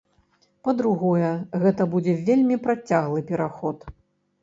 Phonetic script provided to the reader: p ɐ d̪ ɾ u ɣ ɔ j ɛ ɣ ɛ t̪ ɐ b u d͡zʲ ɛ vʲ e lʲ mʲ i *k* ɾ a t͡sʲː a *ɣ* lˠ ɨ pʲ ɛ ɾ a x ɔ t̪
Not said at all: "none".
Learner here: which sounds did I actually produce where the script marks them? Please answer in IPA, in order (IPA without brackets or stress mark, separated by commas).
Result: p, ɣ